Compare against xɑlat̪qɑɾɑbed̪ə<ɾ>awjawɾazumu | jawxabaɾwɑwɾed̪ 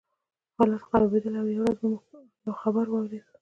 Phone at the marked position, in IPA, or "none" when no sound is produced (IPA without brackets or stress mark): l